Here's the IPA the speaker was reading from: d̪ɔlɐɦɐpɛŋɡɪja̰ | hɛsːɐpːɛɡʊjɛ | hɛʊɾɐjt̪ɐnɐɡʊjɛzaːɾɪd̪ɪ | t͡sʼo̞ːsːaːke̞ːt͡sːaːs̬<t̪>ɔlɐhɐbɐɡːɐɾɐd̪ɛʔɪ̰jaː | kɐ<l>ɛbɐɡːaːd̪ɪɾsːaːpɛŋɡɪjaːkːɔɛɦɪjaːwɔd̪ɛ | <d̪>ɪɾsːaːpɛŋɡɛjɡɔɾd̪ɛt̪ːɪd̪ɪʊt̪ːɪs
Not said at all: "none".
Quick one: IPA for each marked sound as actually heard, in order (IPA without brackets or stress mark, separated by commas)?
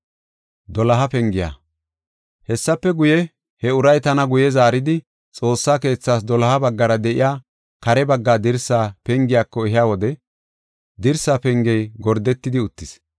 d̪, ɾ, d̪